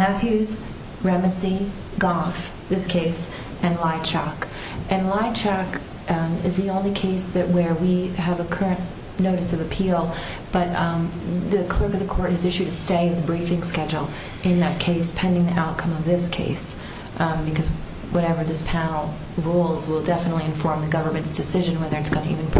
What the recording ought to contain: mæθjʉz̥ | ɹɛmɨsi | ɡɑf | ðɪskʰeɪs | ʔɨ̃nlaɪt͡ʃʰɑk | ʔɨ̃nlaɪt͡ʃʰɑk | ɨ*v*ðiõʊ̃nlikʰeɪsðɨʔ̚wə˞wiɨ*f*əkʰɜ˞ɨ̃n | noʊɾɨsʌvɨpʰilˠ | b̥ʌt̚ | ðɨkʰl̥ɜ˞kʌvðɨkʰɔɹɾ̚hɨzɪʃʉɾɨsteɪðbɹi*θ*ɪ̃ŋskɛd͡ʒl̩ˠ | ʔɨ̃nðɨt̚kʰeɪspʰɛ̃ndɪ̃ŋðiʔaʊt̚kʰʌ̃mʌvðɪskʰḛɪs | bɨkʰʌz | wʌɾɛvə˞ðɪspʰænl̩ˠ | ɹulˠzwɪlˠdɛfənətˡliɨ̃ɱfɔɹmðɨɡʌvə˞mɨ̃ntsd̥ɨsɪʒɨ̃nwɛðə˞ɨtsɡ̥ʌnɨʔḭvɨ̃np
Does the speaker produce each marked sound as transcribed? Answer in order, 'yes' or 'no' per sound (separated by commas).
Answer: no, no, no